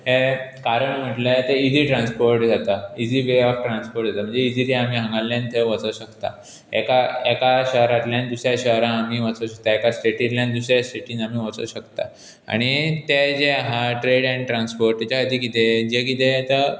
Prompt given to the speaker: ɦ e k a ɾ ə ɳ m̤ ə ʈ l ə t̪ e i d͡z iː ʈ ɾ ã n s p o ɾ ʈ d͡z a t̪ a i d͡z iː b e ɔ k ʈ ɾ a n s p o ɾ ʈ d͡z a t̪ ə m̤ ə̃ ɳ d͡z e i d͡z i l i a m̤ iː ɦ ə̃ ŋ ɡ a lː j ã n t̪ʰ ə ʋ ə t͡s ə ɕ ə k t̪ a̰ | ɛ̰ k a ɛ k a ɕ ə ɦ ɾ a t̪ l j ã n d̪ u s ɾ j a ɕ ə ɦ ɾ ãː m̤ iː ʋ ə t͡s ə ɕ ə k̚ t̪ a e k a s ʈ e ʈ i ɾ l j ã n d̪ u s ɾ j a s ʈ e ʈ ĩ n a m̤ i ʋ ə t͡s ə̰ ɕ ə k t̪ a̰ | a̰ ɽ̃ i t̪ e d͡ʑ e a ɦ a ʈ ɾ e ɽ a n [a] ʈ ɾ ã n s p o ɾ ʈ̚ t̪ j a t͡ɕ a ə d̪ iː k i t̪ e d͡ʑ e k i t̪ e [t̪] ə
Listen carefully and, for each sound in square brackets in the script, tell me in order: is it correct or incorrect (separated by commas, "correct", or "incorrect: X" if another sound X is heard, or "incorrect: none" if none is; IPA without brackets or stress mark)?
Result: incorrect: i, correct